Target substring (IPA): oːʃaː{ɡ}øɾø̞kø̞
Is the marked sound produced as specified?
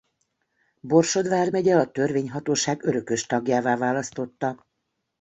yes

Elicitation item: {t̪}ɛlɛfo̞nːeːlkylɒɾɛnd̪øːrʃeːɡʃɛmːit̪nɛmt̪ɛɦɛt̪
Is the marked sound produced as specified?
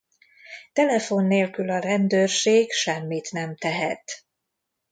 yes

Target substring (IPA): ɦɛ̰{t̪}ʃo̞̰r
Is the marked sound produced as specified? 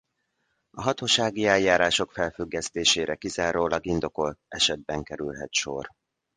yes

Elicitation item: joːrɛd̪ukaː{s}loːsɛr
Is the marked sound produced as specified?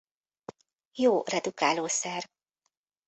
no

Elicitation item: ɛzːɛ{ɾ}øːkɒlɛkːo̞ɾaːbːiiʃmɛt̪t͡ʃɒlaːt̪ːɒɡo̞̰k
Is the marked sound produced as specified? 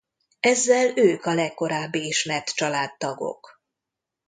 no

